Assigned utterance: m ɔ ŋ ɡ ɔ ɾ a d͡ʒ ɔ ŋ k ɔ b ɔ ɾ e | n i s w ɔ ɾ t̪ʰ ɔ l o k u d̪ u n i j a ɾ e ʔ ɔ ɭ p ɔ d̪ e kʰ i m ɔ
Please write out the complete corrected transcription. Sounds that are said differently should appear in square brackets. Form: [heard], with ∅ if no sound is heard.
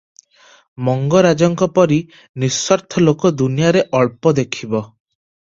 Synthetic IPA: m ɔ ŋ ɡ ɔ ɾ a d͡ʒ ɔ ŋ k ɔ [p] ɔ ɾ [i] | n i s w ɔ ɾ t̪ʰ ɔ l o k [ɔ] d̪ u n i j a ɾ e ʔ ɔ ɭ p ɔ d̪ e kʰ i [b] ɔ